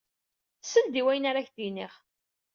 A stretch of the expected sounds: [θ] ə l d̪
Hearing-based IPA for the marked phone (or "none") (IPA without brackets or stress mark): s